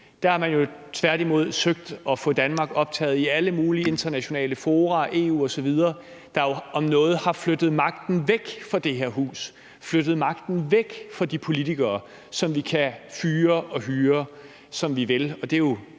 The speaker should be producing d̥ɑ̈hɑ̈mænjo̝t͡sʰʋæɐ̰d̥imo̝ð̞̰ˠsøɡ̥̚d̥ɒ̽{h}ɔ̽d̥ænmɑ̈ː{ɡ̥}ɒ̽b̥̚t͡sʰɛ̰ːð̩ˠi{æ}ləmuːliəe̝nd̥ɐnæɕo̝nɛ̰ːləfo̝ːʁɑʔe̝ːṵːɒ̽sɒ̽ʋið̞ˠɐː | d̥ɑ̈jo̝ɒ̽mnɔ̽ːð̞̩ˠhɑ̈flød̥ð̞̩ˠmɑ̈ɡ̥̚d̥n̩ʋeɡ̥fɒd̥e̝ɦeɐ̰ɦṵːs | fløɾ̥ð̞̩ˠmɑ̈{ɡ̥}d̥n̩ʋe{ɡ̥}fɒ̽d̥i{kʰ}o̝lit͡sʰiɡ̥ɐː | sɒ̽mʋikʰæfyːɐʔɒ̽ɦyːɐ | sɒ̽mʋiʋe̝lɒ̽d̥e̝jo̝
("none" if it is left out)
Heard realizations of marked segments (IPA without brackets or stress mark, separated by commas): f, ɡ̥, æ, ɡ̥, ɡ̥, pʰ